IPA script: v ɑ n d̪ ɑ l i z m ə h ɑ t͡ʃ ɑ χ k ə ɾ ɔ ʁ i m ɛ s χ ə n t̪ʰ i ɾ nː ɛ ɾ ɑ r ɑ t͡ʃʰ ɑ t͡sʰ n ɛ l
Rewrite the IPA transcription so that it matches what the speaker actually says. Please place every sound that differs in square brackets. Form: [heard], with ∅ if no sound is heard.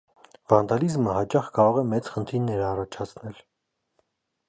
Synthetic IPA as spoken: v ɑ n d̪ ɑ l i z m ə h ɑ t͡ʃ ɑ χ k [ɑ] ɾ ɔ ʁ [ɛ] m ɛ [t͡s] χ ə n t̪ʰ i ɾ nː ɛ ɾ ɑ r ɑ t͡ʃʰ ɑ t͡sʰ n ɛ l